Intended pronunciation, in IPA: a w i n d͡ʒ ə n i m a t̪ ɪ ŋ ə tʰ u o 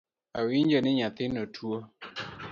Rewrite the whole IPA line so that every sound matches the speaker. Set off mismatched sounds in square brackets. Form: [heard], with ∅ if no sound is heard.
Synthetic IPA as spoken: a w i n d͡ʒ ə n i [ɲ] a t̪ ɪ [n] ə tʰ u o